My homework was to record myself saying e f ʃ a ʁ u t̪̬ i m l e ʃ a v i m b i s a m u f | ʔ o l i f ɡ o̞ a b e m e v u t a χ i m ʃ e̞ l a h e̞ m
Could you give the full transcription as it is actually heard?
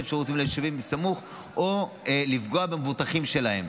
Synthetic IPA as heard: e f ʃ a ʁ u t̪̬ i m l e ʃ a v i m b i s a m u χ | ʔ o l i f ɡ o̞ a b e m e v u t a χ i m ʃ e̞ l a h e̞ m